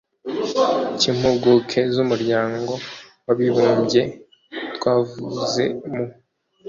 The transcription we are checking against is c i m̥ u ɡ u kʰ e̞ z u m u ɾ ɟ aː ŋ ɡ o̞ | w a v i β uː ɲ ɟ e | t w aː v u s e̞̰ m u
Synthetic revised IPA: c i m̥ u ɡ u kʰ e̞ z u m u ɾ ɟ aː ŋ ɡ o̞ | w a β i β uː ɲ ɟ e | t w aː v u z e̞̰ m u